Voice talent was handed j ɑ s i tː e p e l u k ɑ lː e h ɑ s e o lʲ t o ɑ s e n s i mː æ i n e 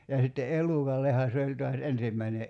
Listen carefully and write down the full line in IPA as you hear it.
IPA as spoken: j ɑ s i tː e ʔ e l u k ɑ lː e h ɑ s e o lʲ t o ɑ s e n s i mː æ i n e